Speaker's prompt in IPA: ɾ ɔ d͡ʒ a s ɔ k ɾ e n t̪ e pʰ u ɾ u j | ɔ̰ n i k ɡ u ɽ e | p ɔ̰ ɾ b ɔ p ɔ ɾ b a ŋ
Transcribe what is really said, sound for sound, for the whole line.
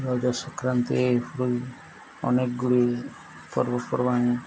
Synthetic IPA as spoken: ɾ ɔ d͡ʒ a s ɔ k ɾ a n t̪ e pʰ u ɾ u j | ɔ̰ n e k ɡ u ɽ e | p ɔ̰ ɾ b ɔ p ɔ ɾ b a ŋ